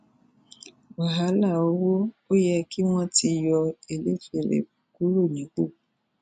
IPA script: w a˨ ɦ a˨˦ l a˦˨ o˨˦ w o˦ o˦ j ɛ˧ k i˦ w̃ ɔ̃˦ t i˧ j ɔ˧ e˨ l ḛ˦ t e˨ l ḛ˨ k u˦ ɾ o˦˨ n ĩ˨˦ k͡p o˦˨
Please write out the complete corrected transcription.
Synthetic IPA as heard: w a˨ ɦ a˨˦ l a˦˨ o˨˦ w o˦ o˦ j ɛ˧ k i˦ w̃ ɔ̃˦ t i˧ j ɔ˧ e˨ l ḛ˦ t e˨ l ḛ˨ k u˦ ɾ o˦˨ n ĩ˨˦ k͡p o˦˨